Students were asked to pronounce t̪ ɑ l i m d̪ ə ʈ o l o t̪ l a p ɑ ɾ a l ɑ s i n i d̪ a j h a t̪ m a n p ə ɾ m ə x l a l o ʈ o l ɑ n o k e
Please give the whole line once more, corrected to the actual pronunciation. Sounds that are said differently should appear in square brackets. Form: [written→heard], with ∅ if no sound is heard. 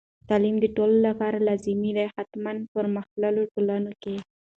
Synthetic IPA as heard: t̪ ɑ l i m d̪ ə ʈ o l o [t̪→∅] l a p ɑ ɾ a l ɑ [s→z] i [n→m] i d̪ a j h a t̪ m a n p ə ɾ m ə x l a l o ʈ o l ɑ n o k e